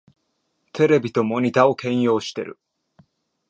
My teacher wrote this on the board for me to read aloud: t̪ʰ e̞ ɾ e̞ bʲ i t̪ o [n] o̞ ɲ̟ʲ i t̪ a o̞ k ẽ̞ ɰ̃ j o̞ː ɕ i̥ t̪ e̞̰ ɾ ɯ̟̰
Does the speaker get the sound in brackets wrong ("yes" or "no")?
yes